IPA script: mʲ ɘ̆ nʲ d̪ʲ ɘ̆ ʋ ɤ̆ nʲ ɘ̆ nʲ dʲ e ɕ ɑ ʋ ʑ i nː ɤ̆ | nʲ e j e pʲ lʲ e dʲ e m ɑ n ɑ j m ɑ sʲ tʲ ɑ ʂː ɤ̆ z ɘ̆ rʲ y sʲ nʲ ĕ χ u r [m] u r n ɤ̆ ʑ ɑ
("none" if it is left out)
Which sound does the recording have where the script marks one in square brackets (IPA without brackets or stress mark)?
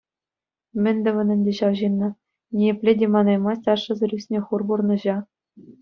b